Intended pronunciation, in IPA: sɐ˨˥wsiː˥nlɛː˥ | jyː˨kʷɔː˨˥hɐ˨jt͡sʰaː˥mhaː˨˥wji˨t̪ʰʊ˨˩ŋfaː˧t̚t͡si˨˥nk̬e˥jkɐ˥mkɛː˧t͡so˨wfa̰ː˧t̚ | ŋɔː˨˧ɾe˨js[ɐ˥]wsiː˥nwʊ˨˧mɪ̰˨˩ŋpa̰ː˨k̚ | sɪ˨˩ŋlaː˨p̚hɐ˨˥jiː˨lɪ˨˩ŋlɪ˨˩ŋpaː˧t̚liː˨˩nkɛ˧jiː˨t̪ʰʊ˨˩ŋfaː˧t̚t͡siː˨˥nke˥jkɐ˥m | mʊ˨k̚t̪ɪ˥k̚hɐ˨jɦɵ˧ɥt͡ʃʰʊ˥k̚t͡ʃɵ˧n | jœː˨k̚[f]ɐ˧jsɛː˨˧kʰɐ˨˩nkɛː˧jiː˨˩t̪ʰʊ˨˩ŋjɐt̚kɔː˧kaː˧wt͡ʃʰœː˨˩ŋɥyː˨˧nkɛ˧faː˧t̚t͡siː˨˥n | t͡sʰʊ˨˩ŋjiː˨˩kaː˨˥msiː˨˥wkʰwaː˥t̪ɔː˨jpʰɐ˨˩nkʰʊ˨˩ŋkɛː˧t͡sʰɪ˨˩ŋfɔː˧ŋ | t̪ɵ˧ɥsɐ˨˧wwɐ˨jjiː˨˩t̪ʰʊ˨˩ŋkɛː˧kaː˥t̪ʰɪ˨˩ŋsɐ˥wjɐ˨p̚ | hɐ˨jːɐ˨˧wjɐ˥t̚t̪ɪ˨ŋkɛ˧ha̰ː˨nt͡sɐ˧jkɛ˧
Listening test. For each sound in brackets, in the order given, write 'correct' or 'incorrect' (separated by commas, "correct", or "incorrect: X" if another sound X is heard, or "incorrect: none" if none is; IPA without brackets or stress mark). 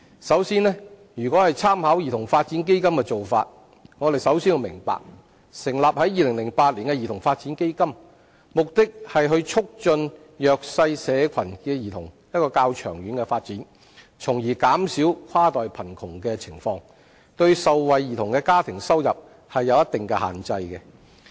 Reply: incorrect: ɐ˨˥, incorrect: s